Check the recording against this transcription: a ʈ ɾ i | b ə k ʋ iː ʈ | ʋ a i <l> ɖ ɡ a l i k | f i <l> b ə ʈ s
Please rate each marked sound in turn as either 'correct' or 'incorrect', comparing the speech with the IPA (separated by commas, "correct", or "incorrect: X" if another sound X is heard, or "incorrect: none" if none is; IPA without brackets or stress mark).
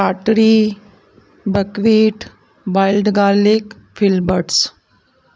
correct, correct